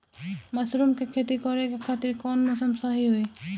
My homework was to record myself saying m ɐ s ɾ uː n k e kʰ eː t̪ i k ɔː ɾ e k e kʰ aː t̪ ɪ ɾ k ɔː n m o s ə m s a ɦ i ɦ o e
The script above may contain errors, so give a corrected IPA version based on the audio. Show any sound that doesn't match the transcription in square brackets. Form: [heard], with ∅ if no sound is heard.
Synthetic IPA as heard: m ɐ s ɾ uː [m] k e kʰ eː t̪ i k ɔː ɾ e k e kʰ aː t̪ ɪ ɾ k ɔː n m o s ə m s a ɦ i ɦ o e